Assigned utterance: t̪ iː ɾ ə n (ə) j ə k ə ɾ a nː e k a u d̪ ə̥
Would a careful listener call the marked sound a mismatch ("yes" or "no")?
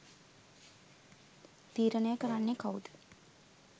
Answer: no